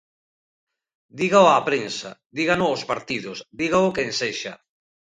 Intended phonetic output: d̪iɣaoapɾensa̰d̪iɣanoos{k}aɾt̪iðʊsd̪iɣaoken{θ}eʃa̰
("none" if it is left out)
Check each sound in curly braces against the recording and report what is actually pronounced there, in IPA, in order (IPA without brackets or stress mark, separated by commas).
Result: p, s